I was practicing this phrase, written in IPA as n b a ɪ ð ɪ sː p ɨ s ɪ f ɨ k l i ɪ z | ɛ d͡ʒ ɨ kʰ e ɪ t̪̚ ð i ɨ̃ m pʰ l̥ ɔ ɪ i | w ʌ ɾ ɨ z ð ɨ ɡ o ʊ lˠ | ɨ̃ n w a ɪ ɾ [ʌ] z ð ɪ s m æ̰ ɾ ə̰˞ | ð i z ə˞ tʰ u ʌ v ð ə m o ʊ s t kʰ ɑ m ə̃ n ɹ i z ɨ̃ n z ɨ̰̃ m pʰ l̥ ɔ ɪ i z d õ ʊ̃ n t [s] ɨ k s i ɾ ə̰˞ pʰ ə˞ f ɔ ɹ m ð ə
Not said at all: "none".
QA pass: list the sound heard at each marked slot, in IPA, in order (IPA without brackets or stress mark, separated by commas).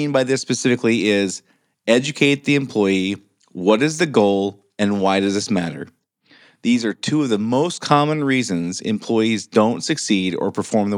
ʌ, s